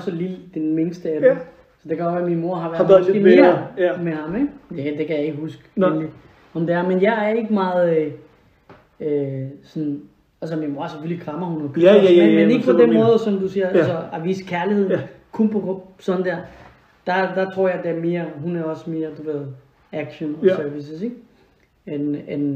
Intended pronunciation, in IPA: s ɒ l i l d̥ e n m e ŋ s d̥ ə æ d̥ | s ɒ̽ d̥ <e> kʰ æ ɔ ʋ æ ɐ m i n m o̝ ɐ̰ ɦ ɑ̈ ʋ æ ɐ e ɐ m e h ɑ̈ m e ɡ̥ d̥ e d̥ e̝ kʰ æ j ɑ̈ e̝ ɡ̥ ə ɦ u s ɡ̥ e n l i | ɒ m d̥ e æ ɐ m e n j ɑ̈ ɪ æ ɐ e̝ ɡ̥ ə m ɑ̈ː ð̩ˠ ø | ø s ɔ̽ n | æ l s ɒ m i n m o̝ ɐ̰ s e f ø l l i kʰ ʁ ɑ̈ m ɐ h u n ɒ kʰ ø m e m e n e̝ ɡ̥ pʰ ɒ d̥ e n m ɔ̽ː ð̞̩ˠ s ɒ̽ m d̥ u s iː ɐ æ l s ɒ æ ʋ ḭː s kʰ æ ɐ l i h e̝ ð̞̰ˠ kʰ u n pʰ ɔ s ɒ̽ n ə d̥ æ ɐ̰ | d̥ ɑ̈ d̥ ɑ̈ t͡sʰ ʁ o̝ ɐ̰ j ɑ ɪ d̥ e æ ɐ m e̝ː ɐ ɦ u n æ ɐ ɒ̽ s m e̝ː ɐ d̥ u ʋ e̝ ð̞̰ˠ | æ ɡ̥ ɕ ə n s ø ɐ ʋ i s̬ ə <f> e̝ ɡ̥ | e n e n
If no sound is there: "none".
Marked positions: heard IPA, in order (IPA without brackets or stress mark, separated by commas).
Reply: e, s